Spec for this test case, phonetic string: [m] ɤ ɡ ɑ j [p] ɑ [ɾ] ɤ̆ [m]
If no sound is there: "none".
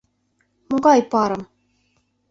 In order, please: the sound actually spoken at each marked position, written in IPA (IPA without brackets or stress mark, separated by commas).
m, p, ɾ, m